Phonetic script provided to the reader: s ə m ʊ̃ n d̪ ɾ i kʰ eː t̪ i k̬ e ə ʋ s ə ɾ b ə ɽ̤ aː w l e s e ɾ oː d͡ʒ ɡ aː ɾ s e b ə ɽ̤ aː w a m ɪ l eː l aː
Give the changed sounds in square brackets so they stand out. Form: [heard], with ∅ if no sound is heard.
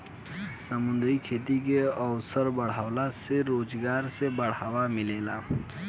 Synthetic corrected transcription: s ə m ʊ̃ n d̪ ɾ i kʰ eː t̪ i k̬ e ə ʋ s ə ɾ b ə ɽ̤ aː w l [a] s e ɾ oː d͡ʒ ɡ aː ɾ s e b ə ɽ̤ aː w a m ɪ l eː l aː